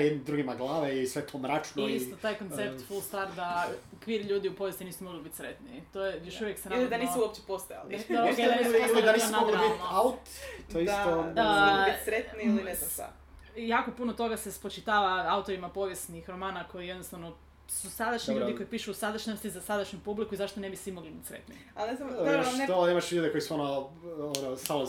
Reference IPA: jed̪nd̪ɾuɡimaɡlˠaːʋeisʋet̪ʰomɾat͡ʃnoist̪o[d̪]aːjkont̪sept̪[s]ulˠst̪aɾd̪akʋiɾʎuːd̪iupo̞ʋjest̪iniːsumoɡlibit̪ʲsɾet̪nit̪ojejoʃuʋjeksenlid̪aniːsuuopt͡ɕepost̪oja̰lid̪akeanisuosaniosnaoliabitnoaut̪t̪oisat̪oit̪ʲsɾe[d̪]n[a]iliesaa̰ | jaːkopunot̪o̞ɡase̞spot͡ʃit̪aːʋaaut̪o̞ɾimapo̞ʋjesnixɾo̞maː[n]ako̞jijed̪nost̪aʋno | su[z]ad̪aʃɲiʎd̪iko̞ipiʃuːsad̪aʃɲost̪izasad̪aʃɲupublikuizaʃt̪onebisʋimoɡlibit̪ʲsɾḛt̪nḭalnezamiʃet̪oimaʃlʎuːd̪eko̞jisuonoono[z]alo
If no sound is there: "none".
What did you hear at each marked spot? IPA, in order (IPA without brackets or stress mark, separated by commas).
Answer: t̪, f, t̪, i, n, s, s